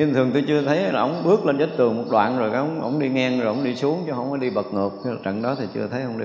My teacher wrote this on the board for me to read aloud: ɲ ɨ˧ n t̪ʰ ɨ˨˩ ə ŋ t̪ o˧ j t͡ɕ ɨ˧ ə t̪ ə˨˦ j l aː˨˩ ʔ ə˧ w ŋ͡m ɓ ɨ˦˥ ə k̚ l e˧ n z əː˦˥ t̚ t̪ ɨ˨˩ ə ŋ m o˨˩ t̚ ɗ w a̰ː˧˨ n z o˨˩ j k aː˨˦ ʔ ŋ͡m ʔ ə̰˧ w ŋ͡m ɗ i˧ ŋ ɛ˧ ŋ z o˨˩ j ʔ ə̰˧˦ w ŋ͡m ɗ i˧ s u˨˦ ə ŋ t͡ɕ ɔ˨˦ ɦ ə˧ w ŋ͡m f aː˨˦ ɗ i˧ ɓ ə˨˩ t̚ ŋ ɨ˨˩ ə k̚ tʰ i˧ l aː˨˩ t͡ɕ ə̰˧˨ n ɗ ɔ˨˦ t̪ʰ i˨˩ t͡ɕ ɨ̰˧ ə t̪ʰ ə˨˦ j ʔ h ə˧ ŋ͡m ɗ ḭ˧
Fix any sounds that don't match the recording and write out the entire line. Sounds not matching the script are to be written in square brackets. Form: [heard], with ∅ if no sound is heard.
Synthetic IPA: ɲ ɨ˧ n t̪ʰ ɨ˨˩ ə ŋ t̪ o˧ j t͡ɕ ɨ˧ ə [t̪ʰ] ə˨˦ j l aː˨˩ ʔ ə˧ w ŋ͡m ɓ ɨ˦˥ ə k̚ l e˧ n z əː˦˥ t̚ t̪ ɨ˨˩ ə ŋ m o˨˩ t̚ ɗ w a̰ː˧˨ n z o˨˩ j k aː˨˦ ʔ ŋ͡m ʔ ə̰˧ w ŋ͡m ɗ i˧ ŋ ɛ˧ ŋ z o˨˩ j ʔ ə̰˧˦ w ŋ͡m ɗ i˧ s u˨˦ ə ŋ t͡ɕ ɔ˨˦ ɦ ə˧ w ŋ͡m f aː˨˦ ɗ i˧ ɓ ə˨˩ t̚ ŋ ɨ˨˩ ə k̚ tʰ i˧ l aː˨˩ t͡ɕ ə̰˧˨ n ɗ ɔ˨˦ t̪ʰ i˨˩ t͡ɕ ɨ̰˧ ə t̪ʰ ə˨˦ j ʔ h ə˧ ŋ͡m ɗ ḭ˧